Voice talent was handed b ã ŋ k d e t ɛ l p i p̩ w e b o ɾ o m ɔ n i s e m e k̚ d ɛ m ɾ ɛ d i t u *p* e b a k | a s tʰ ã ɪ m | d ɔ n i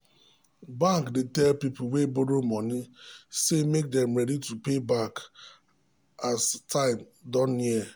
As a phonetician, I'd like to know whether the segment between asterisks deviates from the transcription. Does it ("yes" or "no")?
no